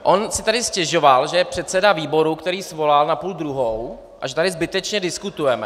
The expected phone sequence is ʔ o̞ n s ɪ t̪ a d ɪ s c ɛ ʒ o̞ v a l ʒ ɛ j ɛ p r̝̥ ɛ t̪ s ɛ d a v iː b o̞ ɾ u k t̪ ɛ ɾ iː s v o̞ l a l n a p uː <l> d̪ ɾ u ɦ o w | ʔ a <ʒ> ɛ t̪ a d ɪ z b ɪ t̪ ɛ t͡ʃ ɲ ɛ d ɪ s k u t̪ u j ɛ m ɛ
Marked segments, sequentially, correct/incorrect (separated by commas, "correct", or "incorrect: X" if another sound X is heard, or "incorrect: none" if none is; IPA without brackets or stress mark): correct, correct